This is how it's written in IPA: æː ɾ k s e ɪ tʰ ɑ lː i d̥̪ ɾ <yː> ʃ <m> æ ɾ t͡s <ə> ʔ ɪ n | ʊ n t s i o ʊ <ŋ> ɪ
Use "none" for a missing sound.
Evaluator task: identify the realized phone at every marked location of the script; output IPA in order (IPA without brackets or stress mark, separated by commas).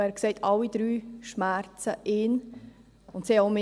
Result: yː, m, ə, m